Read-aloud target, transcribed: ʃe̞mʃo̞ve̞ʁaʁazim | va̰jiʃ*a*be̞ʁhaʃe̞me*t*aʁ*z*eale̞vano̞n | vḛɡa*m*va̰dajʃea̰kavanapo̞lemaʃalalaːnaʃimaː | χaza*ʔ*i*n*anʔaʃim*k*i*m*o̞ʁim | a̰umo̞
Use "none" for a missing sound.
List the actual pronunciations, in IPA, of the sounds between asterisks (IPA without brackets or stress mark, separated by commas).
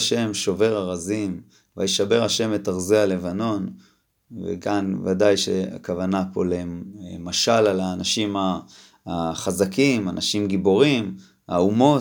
a, t, z, n, k, m, ɡ, b